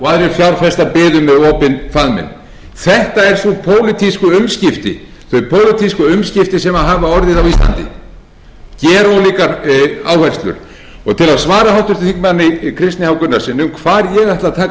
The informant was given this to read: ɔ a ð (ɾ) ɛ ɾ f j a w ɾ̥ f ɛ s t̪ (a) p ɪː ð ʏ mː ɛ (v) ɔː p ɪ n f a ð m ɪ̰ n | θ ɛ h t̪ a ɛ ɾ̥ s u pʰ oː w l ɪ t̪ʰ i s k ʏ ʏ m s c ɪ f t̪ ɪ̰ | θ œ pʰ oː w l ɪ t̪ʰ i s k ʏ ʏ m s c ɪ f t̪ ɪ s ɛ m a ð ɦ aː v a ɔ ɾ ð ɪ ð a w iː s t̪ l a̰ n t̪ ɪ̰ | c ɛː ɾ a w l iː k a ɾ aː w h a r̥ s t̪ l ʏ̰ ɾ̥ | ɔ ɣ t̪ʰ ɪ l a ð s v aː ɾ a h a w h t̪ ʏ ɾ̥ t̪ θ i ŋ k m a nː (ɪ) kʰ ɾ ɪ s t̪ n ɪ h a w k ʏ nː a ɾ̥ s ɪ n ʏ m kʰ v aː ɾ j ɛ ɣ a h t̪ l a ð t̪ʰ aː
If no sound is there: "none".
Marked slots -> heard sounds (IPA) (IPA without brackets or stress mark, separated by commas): ɾ, a, ð, ɪ